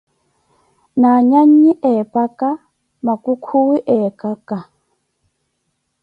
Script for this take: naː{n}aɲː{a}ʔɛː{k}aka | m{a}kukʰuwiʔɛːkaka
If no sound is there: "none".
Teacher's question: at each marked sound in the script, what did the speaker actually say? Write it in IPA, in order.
ɲ, i, p, a

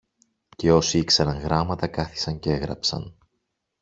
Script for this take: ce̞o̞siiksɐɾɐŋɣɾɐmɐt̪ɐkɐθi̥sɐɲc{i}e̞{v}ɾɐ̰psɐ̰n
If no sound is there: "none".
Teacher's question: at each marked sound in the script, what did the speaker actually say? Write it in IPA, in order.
e, ɣ

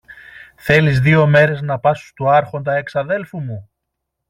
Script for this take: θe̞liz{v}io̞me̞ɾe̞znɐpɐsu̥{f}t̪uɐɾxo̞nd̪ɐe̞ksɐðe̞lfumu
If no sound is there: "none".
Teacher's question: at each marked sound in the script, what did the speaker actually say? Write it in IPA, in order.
ð, s

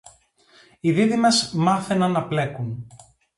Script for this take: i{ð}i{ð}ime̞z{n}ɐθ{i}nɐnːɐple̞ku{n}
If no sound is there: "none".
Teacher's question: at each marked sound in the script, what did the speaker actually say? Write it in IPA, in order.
ð, ð, m, e, n

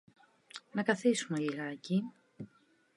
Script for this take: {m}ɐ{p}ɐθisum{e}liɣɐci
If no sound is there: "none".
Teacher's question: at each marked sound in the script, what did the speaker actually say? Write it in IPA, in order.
n, k, e

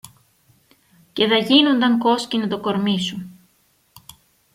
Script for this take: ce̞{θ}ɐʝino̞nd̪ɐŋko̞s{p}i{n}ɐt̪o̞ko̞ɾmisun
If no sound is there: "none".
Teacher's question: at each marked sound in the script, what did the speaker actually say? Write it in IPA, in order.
ð, c, n

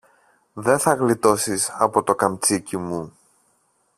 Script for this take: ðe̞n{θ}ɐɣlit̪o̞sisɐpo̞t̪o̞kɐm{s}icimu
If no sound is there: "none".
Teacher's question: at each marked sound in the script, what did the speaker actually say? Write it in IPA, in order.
θ, t͡s

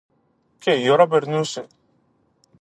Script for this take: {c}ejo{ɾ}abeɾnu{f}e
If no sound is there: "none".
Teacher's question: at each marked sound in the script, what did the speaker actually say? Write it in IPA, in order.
k, ɾ, s

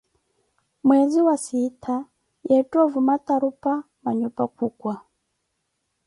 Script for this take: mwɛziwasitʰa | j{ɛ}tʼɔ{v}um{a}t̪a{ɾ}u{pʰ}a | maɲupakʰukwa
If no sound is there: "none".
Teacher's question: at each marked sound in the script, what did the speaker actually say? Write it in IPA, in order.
ɛ, v, a, ɾ, p

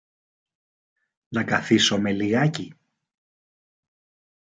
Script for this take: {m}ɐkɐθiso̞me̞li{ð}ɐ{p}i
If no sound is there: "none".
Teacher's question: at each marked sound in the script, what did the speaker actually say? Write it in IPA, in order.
n, ɣ, c

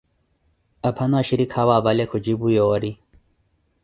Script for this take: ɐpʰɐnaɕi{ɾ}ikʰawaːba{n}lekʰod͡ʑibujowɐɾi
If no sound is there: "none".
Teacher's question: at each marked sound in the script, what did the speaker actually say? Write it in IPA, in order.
ɾ, none

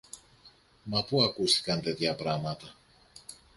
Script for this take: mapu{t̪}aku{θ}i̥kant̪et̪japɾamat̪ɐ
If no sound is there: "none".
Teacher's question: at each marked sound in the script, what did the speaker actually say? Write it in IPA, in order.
none, s

